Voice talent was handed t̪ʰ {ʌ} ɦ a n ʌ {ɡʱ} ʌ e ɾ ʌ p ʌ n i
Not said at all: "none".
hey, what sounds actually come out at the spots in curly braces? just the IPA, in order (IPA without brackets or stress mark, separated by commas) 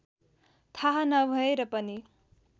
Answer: a, bʱ